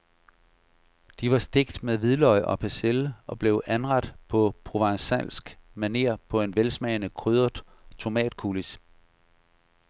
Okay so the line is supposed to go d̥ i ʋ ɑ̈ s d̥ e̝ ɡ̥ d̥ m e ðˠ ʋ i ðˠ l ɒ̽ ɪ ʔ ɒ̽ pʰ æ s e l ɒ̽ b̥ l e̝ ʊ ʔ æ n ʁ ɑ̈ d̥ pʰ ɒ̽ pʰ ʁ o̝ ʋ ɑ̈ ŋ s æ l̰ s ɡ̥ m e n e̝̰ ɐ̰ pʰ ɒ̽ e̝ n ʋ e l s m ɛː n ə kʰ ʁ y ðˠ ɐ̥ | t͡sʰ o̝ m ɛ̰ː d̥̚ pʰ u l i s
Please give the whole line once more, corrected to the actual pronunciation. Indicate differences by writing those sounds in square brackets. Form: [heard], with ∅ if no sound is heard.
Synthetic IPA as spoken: d̥ i ʋ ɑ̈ s d̥ e̝ ɡ̥ d̥ m e ðˠ ʋ i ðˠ l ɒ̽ ɪ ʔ ɒ̽ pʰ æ s e l ɒ̽ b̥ l e̝ ʊ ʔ æ n ʁ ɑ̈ d̥ pʰ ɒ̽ pʰ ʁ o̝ ʋ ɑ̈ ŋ s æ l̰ s ɡ̥ m [æ] n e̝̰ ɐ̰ pʰ ɒ̽ e̝ n ʋ e l s m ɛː n ə kʰ ʁ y ðˠ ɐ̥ | t͡sʰ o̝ m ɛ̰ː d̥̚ [kʰ] u l i s